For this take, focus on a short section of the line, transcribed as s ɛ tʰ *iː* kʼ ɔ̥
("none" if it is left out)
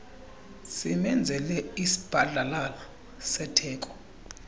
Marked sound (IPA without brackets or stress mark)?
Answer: ɛː